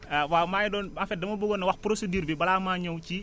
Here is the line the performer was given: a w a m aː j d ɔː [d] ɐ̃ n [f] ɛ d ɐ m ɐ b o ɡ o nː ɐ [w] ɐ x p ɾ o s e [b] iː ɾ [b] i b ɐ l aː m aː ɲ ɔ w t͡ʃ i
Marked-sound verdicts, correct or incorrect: incorrect: n, correct, correct, incorrect: d, correct

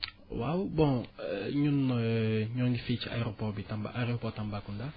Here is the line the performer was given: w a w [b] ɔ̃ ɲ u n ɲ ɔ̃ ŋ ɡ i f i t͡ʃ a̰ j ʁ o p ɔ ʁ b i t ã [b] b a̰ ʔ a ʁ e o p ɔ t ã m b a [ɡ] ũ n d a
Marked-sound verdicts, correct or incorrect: correct, incorrect: m, incorrect: k

